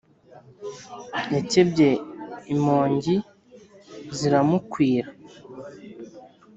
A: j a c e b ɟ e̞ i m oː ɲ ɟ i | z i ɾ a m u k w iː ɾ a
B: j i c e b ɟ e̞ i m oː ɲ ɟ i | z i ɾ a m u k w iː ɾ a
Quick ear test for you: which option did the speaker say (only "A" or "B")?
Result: A